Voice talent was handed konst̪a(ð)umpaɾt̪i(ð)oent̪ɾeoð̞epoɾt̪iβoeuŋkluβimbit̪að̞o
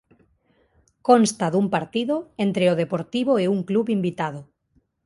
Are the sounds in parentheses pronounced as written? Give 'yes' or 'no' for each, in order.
yes, yes

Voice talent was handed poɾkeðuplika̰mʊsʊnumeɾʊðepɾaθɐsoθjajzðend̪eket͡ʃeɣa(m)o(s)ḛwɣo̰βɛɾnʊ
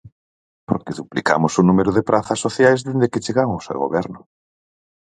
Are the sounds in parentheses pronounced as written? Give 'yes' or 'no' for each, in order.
no, yes

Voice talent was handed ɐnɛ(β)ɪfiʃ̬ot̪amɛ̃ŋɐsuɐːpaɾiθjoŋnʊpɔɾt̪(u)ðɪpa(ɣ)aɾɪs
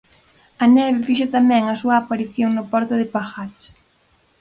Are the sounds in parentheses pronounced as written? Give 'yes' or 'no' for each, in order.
yes, no, no

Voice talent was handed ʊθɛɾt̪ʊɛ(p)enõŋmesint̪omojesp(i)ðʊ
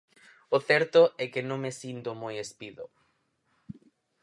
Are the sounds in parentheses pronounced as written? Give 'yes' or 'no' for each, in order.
no, yes

